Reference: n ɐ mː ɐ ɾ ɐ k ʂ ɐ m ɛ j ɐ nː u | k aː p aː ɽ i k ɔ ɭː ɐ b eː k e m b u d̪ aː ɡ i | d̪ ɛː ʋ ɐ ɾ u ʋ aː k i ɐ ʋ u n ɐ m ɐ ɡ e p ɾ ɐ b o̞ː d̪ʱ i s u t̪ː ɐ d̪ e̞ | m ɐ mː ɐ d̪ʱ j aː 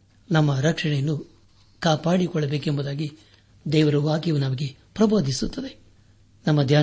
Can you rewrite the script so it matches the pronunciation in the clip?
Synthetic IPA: n ɐ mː ɐ ɾ ɐ k ʂ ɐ ɳ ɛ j ɐ nː u | k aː p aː ɽ i k ɔ ɭː ɐ b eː k e m b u d̪ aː ɡ i | d̪ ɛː ʋ ɐ ɾ u ʋ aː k j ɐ ʋ u n ɐ m ɐ ɡ e p ɾ ɐ b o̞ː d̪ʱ i s u t̪ː ɐ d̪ e̞ | n ɐ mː ɐ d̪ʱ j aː